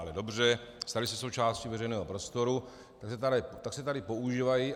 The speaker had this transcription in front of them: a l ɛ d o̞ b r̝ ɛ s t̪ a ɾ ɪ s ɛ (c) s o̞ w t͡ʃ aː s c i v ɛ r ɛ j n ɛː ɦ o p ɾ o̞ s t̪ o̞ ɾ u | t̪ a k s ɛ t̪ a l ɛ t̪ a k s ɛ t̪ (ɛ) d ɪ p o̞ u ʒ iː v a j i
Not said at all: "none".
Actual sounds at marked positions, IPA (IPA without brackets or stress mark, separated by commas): none, a